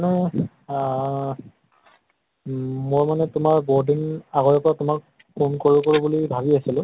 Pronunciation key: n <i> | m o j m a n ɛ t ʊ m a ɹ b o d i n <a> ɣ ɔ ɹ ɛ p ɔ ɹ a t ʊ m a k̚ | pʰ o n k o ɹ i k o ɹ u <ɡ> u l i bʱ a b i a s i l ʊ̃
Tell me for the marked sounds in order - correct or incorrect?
incorrect, correct, incorrect

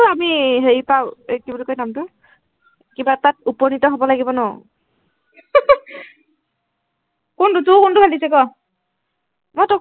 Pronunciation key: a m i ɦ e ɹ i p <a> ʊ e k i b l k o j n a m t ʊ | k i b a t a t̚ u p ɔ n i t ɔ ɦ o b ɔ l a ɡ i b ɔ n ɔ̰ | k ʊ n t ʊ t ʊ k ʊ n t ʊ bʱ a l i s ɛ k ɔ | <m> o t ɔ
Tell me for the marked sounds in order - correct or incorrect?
correct, correct

